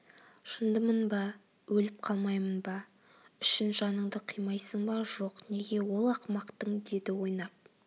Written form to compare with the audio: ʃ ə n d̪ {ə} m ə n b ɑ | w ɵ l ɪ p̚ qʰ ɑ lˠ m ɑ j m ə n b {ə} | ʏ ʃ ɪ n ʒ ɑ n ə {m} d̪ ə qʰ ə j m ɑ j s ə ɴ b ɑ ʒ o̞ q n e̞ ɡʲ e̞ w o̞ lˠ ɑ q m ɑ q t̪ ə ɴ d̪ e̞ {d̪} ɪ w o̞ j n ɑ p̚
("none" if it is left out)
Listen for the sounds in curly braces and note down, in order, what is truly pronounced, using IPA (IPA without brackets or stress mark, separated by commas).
ə, ɑ, ɴ, d̪